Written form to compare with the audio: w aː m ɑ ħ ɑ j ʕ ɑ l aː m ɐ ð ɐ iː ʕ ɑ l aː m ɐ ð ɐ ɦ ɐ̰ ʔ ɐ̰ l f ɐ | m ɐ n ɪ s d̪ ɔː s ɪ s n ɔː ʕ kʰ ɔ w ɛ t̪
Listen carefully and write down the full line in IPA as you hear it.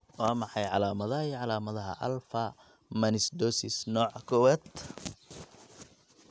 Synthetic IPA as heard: w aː m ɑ ħ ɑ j ʕ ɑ l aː m ɐ ð ɐ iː ʕ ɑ l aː m ɐ ð ɐ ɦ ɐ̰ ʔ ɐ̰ l f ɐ | m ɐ n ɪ s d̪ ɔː s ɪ s n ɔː ʕ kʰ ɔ w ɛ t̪